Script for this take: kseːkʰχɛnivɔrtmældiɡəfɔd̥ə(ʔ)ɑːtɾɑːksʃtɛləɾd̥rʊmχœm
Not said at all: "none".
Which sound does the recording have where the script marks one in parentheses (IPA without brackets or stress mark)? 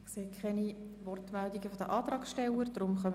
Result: ʔ